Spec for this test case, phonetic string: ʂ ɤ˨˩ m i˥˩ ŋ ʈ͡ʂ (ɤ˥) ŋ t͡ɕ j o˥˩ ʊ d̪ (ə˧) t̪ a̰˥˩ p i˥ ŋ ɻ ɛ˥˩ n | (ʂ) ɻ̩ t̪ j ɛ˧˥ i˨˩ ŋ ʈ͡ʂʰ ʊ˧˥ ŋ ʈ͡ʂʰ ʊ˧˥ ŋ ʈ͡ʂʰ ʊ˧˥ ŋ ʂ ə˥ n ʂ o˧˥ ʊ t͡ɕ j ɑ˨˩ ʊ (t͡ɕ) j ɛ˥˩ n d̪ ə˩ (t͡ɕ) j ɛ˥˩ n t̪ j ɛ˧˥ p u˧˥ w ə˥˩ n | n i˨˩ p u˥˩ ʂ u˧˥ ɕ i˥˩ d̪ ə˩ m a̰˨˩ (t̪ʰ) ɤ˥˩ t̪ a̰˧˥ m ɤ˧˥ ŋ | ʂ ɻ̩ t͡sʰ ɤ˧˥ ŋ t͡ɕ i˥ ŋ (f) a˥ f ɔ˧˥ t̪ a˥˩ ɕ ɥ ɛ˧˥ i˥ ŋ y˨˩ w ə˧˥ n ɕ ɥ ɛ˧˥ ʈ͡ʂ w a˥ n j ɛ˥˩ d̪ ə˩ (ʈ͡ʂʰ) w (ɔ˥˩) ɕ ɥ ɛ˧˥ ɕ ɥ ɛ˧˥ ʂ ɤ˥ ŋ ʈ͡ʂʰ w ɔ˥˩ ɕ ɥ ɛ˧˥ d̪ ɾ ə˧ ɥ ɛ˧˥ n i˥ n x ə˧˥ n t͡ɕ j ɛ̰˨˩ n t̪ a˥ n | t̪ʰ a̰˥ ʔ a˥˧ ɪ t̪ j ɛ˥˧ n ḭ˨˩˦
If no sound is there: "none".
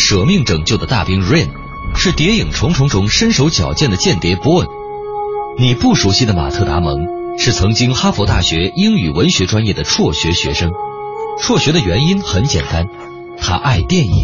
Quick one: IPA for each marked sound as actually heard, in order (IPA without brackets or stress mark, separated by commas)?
ɤ˨˩, ə˩, ʂ, t͡ɕ, t͡ɕ, t̪ʰ, x, ʈ͡ʂʰ, ɔ˥˩